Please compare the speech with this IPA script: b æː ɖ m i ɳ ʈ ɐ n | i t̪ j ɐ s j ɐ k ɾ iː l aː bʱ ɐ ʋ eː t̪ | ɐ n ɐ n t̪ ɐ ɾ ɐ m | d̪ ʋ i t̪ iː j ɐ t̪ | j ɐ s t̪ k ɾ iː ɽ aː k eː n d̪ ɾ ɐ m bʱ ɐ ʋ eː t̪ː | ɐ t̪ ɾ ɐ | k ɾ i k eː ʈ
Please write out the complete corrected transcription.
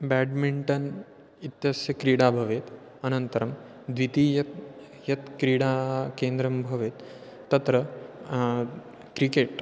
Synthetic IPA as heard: b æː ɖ m i ɳ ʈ ɐ n | i t̪ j ɐ s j ɐ k ɾ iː ɽ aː bʱ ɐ ʋ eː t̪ | ɐ n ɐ n t̪ ɐ ɾ ɐ m | d̪ ʋ i t̪ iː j ɐ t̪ | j ɐ t̪ k ɾ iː ɽ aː k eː n d̪ ɾ ɐ m bʱ ɐ ʋ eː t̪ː | ɐ t̪ ɾ ɐ | k ɾ i k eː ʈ